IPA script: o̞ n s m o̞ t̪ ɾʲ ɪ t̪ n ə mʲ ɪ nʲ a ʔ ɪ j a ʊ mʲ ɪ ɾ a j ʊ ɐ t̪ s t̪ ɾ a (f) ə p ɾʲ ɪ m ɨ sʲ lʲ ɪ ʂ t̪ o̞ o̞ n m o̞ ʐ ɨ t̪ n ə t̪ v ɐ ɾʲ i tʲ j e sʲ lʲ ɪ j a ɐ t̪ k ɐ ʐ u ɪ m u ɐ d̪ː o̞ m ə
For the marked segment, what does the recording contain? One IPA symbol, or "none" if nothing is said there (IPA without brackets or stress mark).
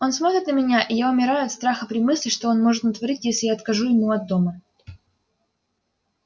x